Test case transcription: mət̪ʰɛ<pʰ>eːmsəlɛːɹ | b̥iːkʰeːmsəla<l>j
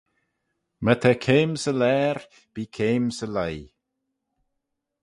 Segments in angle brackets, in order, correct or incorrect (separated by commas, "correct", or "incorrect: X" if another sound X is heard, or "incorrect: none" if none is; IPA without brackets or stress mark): incorrect: kʰ, incorrect: none